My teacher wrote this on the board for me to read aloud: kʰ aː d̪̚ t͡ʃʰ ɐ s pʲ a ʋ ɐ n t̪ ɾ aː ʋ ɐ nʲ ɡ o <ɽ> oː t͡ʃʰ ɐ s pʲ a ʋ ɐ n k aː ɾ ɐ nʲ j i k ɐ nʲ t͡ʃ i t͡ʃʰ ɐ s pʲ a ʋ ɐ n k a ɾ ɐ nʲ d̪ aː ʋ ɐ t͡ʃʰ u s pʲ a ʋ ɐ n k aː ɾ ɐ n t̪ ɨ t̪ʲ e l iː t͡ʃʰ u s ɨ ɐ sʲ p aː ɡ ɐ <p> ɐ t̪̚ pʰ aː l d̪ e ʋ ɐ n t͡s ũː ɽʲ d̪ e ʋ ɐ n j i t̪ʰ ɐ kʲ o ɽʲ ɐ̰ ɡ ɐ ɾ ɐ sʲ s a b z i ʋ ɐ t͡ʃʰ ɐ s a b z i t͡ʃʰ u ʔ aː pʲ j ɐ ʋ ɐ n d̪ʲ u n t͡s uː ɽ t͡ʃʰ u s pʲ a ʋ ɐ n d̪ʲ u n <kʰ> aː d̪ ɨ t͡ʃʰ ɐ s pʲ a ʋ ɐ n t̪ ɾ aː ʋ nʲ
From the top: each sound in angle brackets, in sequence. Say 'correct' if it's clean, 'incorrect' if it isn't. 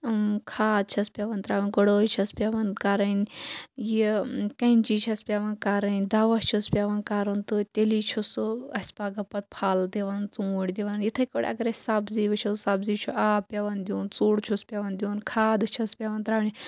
correct, correct, correct

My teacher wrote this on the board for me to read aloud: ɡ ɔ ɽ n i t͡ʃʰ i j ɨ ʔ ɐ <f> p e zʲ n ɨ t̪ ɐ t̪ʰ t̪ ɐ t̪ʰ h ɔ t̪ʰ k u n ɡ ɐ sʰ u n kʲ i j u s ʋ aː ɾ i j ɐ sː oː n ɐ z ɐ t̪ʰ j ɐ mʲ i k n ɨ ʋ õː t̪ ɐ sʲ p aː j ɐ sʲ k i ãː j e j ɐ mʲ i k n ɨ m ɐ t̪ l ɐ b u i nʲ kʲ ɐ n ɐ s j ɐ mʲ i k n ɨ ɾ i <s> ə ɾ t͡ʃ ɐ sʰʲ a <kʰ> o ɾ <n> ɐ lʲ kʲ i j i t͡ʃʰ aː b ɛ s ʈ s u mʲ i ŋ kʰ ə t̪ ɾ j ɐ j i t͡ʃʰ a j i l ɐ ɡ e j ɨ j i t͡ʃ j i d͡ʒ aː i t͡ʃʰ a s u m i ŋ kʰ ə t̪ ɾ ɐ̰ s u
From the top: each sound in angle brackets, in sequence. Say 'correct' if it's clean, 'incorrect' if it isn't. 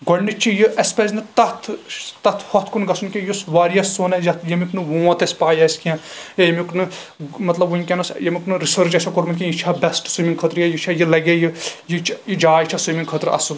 incorrect: s, correct, incorrect: k, incorrect: m

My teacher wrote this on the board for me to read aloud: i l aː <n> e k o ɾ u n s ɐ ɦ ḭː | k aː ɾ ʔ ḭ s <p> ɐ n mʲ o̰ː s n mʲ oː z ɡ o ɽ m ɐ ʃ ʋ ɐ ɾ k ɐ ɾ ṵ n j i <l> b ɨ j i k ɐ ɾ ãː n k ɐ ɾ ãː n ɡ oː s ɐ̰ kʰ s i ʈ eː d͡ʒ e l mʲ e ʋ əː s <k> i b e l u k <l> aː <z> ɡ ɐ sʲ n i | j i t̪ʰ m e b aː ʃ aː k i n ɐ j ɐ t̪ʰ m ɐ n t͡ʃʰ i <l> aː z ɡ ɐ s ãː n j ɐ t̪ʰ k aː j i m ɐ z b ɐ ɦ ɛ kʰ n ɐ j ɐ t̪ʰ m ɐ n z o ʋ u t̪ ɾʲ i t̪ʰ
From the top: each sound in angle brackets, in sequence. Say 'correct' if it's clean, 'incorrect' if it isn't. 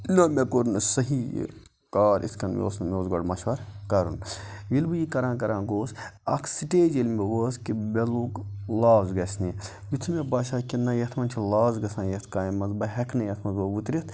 incorrect: m, incorrect: k, correct, correct, correct, correct, correct

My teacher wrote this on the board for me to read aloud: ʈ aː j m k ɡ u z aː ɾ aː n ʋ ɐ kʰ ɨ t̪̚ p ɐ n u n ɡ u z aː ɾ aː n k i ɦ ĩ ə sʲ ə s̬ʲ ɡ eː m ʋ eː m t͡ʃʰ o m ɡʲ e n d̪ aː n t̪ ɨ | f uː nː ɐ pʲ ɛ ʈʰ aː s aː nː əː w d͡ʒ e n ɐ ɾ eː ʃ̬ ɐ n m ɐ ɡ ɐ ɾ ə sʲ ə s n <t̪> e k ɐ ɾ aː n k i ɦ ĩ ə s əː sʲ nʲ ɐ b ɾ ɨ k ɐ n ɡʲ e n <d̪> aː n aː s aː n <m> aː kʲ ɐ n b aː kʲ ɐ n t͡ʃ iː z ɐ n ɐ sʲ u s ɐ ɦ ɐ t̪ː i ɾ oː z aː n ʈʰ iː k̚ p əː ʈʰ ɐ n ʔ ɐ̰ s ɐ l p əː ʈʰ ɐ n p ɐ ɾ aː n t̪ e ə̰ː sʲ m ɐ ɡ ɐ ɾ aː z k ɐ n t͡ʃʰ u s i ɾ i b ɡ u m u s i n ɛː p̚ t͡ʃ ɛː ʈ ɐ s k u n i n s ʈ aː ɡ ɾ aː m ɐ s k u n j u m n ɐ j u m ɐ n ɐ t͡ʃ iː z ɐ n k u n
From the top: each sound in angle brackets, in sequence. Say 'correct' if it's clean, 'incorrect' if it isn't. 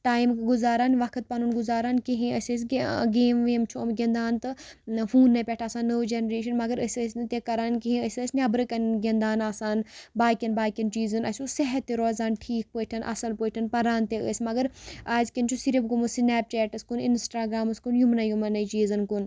correct, correct, incorrect: b

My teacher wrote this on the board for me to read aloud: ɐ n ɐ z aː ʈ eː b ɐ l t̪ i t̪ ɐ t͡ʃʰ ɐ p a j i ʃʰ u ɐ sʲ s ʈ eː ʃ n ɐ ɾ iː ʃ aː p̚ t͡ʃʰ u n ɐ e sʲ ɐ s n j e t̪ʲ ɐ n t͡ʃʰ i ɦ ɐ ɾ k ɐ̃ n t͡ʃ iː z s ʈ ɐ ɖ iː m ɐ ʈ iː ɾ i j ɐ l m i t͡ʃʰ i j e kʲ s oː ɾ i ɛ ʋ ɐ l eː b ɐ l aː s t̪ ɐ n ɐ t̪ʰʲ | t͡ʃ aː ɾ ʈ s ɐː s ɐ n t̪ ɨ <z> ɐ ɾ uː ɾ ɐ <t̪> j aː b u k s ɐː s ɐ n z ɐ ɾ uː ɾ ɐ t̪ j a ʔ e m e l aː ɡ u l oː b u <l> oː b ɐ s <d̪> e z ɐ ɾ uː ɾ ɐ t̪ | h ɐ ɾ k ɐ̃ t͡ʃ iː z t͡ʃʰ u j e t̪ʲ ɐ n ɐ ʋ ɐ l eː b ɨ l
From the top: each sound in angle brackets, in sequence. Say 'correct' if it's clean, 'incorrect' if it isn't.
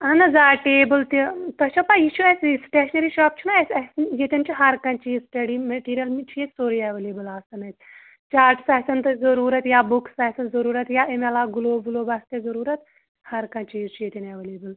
correct, correct, correct, incorrect: t̪

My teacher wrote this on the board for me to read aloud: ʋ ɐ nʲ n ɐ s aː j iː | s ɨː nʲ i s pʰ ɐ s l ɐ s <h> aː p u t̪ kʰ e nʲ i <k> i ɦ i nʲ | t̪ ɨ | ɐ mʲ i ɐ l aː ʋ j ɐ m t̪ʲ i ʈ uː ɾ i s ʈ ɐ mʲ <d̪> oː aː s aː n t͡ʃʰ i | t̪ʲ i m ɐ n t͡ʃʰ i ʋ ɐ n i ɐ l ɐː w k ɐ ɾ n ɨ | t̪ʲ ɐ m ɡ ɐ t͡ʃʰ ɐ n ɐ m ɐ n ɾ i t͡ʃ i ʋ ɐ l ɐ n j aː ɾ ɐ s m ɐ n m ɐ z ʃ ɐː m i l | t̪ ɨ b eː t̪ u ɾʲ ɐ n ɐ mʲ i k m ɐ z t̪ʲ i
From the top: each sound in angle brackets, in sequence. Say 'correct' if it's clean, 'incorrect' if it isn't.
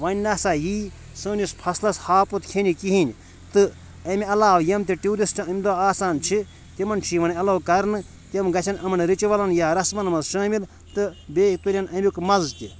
correct, correct, correct

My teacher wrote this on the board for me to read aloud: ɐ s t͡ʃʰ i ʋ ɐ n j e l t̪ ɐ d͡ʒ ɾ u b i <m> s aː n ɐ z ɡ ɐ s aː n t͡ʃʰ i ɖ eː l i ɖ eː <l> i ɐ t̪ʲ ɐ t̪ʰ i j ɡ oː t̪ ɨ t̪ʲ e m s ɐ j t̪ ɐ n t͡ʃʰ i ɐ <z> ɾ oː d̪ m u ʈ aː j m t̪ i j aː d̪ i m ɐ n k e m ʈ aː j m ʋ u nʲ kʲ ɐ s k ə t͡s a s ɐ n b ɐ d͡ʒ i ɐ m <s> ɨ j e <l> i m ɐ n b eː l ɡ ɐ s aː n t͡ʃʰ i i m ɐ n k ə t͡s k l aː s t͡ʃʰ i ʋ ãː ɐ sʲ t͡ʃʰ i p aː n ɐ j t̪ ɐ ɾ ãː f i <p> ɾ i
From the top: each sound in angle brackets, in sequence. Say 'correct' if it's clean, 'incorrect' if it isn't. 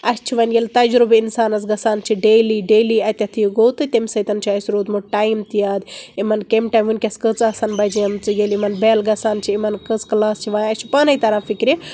incorrect: n, correct, incorrect: s, incorrect: t͡s, correct, incorrect: k

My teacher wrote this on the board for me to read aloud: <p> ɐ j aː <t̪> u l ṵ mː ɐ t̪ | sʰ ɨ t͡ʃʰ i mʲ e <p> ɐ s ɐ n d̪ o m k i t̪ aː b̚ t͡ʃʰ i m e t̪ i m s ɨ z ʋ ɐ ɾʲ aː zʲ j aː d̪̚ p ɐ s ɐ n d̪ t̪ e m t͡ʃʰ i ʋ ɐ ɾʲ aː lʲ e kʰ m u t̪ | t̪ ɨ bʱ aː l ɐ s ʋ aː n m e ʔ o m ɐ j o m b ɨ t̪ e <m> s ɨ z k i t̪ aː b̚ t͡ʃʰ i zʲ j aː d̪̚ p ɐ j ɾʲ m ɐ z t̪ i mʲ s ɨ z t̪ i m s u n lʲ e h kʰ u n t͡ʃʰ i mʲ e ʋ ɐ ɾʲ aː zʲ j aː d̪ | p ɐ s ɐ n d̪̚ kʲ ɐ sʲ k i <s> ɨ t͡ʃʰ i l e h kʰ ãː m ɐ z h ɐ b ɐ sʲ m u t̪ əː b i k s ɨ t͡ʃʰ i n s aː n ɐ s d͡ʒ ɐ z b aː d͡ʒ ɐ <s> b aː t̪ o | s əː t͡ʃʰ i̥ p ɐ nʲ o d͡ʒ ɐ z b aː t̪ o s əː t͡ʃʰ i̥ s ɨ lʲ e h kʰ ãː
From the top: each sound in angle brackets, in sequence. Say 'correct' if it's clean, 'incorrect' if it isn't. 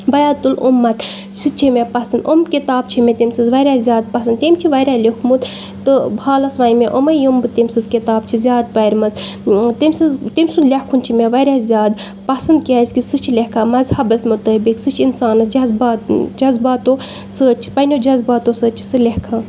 incorrect: b, correct, correct, correct, correct, incorrect: z

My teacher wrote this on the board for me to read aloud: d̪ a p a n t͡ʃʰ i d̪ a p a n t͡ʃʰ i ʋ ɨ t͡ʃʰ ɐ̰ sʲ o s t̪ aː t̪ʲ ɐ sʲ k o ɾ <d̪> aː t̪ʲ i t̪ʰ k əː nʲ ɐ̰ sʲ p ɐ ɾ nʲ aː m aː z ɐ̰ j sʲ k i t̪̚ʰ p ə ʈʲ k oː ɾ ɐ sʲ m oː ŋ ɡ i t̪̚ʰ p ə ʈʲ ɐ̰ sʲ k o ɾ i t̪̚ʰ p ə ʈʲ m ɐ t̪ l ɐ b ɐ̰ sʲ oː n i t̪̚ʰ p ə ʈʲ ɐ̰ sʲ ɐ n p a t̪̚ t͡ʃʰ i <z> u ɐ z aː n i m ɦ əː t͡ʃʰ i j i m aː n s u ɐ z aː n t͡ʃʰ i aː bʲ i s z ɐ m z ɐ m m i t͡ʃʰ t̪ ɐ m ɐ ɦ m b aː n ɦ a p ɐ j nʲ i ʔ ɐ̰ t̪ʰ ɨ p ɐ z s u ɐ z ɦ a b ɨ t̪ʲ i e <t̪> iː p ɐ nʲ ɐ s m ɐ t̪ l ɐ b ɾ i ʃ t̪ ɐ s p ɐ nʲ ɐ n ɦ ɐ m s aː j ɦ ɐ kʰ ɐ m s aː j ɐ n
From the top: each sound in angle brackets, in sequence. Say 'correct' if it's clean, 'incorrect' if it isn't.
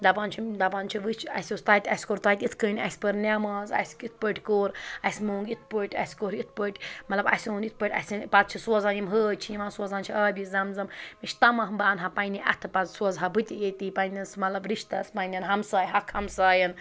incorrect: t̪, incorrect: s, correct

